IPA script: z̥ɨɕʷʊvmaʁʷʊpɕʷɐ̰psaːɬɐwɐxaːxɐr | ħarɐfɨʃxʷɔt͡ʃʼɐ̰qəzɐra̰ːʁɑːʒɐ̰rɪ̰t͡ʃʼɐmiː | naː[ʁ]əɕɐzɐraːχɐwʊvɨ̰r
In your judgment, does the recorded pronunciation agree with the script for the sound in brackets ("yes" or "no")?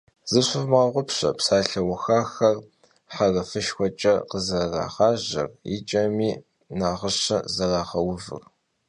yes